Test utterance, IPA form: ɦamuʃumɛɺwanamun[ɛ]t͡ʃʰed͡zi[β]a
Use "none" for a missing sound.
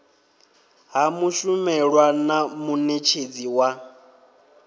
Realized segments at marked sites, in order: e, w

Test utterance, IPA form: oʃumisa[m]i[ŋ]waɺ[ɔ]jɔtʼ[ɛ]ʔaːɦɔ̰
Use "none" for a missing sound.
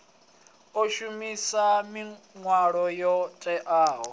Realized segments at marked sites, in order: m, ŋ, ɔ, ɛ

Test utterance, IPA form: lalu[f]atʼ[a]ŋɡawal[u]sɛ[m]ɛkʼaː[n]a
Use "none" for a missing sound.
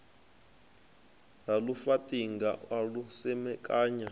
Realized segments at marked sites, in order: f, i, u, m, ɲ

